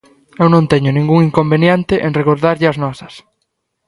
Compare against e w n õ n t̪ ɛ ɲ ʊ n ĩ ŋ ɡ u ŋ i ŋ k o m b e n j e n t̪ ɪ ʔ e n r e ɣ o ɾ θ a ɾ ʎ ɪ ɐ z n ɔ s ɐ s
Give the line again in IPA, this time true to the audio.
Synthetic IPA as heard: e w n õ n t̪ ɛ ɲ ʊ n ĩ ŋ ɡ u ŋ i ŋ k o m b e n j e n t̪ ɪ ʔ e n r e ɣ o ɾ ð a ɾ ʎ ɪ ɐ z n ɔ s ɐ s